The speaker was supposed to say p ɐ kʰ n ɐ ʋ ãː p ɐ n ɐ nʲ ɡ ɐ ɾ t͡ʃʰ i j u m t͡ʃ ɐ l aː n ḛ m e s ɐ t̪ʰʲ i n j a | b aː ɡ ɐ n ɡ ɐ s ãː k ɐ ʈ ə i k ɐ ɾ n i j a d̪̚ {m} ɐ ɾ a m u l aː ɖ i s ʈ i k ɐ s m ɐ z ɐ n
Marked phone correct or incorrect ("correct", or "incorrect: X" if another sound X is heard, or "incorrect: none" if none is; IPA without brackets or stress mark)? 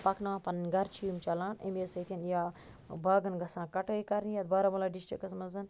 incorrect: b